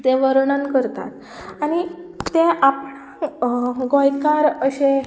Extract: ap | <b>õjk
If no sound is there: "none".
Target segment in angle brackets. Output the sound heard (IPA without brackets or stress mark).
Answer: ɡ